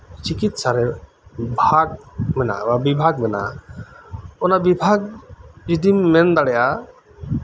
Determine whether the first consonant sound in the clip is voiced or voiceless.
voiceless